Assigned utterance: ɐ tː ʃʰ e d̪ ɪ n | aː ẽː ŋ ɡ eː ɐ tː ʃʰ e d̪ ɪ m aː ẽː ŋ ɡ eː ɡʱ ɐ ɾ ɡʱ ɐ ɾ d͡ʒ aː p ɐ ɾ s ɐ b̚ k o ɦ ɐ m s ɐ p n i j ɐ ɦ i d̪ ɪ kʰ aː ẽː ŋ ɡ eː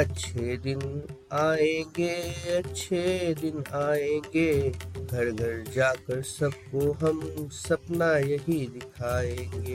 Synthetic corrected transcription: ɐ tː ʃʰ e d̪ ɪ n | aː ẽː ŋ ɡ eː ɐ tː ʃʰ e d̪ ɪ n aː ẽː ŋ ɡ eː ɡʱ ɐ ɾ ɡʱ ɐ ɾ d͡ʒ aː k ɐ ɾ s ɐ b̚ k o ɦ ɐ m s ɐ p n a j ɐ ɦ i d̪ ɪ kʰ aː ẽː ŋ ɡ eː